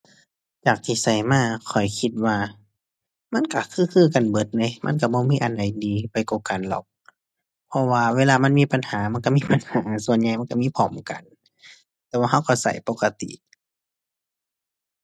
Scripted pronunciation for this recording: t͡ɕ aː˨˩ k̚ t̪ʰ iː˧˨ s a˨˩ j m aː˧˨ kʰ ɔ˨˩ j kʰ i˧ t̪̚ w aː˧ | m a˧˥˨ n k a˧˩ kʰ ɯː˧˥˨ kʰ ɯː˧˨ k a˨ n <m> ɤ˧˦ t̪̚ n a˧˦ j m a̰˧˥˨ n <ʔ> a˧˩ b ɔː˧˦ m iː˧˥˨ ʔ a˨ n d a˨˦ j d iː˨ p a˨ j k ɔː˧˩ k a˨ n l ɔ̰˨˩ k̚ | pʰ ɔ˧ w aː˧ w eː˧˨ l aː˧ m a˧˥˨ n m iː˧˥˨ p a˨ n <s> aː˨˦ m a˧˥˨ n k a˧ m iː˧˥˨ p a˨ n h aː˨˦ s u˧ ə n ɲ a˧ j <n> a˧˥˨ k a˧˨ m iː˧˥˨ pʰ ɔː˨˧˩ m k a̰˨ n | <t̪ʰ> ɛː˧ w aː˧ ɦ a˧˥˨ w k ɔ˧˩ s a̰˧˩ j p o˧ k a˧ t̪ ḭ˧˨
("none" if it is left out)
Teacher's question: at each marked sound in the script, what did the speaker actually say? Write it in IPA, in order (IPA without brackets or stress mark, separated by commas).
b, k, h, m, t̪